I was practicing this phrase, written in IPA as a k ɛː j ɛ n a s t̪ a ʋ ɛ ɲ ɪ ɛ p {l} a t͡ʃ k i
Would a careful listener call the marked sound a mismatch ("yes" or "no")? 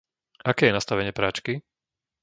yes